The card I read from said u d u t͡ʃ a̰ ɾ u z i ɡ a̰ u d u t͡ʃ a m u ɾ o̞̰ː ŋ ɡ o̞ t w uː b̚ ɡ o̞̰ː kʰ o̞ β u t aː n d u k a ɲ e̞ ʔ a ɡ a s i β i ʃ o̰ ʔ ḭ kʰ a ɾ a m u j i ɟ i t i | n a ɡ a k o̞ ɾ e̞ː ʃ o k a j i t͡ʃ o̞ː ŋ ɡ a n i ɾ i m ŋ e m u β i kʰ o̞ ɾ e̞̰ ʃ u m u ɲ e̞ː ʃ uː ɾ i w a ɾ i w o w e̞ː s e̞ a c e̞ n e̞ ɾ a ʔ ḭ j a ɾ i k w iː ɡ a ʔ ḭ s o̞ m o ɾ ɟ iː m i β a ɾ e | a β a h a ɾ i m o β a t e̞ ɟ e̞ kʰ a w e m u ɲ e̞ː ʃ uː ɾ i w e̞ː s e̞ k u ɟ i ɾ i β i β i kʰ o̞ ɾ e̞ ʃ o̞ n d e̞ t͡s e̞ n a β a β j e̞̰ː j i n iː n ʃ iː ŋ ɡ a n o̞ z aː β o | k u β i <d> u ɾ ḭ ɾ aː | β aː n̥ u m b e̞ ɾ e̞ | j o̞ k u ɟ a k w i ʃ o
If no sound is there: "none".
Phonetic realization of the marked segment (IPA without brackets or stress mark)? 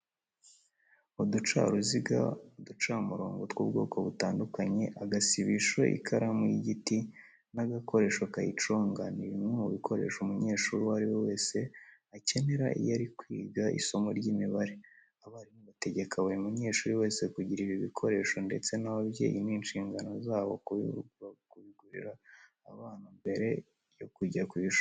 ɡ